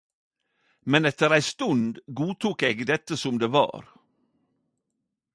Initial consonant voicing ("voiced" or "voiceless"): voiced